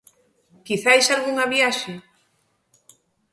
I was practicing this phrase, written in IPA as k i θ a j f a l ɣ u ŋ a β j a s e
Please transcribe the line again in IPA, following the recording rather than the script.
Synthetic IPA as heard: k i θ a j s a l ɣ u ŋ a β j a ʃ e